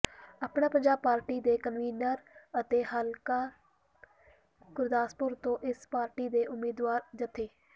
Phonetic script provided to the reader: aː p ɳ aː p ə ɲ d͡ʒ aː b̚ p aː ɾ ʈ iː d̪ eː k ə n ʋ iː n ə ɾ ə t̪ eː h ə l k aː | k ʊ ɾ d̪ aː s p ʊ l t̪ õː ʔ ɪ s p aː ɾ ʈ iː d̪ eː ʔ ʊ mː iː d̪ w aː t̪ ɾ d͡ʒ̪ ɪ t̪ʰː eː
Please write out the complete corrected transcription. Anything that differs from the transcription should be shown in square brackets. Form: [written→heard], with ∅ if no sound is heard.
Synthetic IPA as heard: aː p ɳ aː p ə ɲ d͡ʒ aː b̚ p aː ɾ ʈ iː d̪ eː k ə n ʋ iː n ə ɾ ə t̪ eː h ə l k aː | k ʊ ɾ d̪ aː s p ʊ [l→ɾ] t̪ õː ʔ ɪ s p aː ɾ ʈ iː d̪ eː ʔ ʊ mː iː d̪ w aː [t̪→∅] ɾ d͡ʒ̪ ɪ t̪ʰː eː